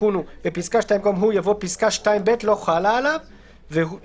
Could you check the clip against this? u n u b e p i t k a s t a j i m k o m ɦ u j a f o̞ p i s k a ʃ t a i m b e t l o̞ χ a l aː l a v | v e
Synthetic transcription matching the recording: u n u b e p i s k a ʃ t a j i m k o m ɦ u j a v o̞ p i s k a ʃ t a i m b e t l o̞ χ a l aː l a v | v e